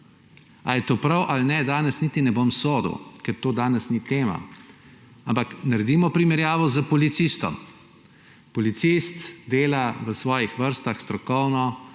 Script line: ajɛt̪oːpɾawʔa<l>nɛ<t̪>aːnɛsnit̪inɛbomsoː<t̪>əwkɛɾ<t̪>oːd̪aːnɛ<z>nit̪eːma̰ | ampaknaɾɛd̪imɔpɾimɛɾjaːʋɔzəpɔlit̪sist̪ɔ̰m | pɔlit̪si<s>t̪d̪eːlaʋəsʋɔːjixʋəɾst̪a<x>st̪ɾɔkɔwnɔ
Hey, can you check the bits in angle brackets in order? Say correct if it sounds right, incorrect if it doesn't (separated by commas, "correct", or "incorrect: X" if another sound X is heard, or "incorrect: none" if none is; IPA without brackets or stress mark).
correct, incorrect: d̪, incorrect: d̪, correct, incorrect: s, correct, correct